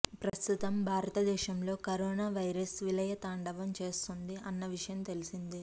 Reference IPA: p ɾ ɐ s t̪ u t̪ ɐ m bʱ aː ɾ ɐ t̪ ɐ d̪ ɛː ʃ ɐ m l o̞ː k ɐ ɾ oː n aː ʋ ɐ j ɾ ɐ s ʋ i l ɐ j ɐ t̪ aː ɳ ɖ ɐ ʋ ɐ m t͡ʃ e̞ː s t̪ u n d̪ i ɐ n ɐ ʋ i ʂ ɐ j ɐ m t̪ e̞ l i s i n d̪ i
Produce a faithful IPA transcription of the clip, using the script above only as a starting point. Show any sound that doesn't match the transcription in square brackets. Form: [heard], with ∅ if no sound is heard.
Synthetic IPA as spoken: p ɾ ɐ s t̪ u t̪ ɐ m bʱ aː ɾ ɐ t̪ ɐ d̪ ɛː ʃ ɐ m l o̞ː k ɐ ɾ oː n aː ʋ ɐ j ɾ ɐ s ʋ i l ɐ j ɐ t̪ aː ɳ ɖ ɐ ʋ ɐ m t͡ʃ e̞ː s t̪ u n d̪ i ɐ [nː] ɐ ʋ i ʂ ɐ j ɐ m t̪ e̞ l i s i n d̪ i